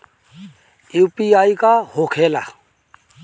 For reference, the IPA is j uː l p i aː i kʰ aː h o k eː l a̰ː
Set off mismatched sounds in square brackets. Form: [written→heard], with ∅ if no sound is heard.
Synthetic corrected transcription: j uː [l→∅] p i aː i [kʰ→k] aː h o [k→kʰ] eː l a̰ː